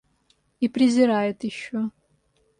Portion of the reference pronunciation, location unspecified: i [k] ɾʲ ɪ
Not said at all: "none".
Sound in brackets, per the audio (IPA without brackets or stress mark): p